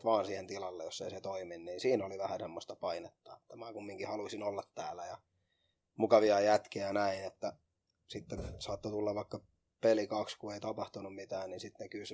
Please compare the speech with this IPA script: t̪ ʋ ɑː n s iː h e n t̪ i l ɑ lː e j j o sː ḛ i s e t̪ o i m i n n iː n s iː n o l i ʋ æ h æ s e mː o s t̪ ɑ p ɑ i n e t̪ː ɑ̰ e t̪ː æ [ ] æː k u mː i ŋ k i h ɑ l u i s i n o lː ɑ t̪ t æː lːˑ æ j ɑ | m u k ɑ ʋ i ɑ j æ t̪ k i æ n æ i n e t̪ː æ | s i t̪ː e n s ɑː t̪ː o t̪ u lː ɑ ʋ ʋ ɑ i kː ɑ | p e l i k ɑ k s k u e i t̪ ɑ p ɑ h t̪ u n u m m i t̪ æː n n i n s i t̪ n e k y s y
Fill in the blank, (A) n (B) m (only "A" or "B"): B